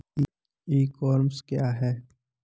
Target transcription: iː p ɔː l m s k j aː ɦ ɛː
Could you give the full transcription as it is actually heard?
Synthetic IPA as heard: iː k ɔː ɾ m s k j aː ɦ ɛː